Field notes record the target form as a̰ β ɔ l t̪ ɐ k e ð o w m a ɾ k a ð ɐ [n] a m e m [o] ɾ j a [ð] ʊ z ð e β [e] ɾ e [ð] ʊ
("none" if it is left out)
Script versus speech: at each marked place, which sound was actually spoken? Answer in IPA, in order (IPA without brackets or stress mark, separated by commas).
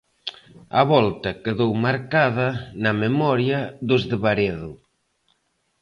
n, ɔ, ð, a, ð